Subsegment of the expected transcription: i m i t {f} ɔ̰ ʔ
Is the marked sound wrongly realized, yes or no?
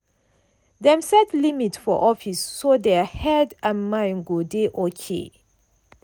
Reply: no